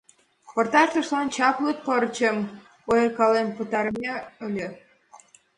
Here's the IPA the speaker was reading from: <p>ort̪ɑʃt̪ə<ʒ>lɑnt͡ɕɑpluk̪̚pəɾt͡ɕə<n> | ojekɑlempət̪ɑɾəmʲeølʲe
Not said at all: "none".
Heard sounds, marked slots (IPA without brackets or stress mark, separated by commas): p, ʃ, m